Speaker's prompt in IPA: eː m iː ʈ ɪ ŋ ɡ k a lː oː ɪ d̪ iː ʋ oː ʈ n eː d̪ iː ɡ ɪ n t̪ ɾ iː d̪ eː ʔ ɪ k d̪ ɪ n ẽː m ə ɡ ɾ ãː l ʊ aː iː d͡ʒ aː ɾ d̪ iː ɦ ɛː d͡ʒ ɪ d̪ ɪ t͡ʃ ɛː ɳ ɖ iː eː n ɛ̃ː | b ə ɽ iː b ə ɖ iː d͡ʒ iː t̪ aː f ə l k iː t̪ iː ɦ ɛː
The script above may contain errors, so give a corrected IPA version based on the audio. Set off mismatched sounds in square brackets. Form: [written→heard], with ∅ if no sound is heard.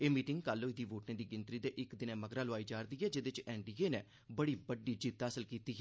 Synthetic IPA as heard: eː m iː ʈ ɪ ŋ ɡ k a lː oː ɪ d̪ iː ʋ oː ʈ n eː d̪ iː ɡ ɪ n t̪ ɾ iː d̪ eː ʔ ɪ k d̪ ɪ n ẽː m ə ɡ ɾ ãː l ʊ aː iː d͡ʒ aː ɾ d̪ iː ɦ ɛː d͡ʒ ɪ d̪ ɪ t͡ʃ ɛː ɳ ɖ iː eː n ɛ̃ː | b ə ɽ iː b ə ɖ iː d͡ʒ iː t̪ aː [f→s] ə l k iː t̪ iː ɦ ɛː